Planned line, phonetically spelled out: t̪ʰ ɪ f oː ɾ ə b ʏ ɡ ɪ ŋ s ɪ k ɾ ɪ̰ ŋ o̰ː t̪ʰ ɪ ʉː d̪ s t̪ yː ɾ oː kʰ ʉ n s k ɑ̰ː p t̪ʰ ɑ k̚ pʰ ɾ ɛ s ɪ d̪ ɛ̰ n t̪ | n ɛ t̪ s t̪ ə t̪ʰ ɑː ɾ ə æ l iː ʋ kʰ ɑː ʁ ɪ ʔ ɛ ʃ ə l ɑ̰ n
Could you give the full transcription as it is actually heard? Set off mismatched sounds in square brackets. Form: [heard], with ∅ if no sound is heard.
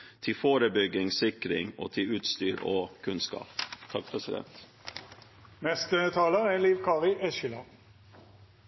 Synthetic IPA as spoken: t̪ʰ ɪ f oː ɾ ə b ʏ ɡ ɪ ŋ s ɪ k ɾ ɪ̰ ŋ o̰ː t̪ʰ ɪ ʉː [t̪] s t̪ yː ɾ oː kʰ ʉ n s k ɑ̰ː p t̪ʰ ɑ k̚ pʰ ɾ ɛ s ɪ d̪ ɛ̰ n t̪ | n ɛ [∅] s t̪ ə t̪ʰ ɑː [l] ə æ l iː ʋ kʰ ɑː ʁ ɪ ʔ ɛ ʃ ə l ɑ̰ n

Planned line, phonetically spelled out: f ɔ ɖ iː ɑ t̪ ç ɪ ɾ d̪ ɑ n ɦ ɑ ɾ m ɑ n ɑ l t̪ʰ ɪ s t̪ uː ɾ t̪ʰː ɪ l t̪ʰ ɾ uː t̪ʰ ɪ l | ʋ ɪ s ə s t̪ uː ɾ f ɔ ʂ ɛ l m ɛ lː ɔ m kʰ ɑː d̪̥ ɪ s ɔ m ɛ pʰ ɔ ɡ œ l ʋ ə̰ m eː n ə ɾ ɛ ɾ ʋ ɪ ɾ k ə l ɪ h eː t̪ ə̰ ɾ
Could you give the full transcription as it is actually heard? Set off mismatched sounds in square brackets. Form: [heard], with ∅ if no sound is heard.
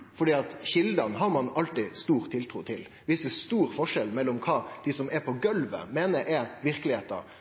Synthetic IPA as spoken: f ɔ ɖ iː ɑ t̪ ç ɪ [l] d̪ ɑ n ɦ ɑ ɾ m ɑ n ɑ l [t̪] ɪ s t̪ uː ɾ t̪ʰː ɪ l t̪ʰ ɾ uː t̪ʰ ɪ l | ʋ ɪ s ə s t̪ uː ɾ f ɔ ʂ ɛ l m ɛ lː ɔ m kʰ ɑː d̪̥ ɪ s ɔ m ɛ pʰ ɔ ɡ œ l ʋ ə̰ m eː n ə ɾ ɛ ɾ ʋ ɪ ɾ k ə l ɪ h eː t̪ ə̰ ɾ

